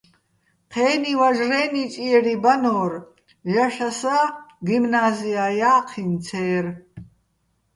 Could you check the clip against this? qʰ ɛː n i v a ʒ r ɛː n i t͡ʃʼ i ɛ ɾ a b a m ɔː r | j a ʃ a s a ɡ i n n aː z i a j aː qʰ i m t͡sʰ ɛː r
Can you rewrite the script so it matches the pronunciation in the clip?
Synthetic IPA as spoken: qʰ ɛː n i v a ʒ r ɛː n i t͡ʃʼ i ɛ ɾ i b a n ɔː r | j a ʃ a s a ɡ i m n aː z i a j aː qʰ i n t͡sʰ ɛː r